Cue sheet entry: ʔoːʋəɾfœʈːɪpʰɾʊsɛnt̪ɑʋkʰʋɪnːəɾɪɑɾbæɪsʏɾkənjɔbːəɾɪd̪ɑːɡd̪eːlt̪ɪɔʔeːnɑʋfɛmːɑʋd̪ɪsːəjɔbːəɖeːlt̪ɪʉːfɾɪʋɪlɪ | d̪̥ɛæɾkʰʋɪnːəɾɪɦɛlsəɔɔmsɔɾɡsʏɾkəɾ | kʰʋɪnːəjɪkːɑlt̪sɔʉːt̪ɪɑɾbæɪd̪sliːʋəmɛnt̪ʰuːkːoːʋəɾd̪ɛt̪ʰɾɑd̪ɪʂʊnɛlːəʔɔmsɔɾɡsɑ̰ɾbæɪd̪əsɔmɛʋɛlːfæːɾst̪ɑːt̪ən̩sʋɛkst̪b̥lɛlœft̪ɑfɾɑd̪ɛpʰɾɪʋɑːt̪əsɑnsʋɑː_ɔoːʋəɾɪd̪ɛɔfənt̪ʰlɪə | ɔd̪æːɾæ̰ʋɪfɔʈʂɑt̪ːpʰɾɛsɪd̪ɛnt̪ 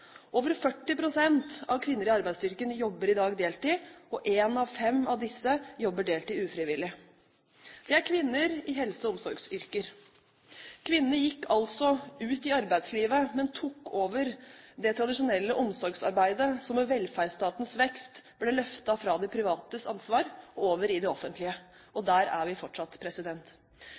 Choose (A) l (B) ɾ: B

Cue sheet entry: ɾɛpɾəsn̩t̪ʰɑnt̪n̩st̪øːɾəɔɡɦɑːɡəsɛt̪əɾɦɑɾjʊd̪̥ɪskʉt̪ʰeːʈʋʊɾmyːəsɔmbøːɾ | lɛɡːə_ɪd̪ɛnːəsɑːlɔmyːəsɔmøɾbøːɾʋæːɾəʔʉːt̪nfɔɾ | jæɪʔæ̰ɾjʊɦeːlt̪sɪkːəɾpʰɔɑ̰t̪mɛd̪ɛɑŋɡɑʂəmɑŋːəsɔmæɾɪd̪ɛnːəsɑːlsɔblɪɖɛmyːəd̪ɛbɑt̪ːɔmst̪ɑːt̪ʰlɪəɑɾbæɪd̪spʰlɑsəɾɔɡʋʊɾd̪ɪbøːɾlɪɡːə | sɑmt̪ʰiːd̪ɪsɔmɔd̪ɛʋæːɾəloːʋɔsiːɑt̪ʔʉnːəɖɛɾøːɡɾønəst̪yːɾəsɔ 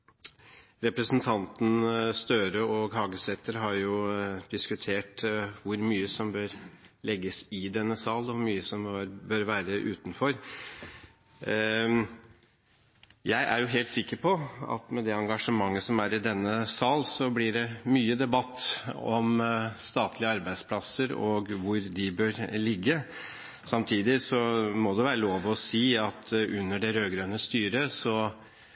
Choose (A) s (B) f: A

